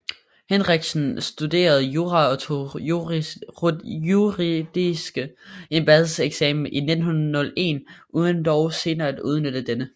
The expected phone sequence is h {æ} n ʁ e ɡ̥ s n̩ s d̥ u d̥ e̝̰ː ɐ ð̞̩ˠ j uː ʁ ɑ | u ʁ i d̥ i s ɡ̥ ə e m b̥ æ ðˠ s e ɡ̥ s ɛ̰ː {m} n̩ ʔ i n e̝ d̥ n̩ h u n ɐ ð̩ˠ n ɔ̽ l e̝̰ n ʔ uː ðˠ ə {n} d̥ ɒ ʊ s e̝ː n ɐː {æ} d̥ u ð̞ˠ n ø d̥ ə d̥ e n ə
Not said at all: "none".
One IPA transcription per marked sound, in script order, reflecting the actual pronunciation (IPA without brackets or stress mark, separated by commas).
e, m, n, æ